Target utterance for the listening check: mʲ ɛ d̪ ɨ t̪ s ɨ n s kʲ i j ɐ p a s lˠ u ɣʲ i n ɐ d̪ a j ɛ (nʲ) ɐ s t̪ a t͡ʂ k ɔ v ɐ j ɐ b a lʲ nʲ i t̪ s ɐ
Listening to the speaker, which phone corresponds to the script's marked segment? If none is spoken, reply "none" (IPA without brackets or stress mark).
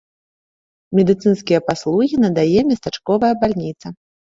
mʲ